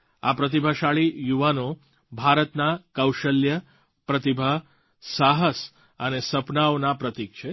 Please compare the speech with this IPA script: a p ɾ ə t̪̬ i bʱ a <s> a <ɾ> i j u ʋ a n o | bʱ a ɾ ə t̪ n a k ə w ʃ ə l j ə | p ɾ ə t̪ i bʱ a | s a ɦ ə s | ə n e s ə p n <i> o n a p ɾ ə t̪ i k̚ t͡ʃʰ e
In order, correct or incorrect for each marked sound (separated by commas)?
incorrect, incorrect, incorrect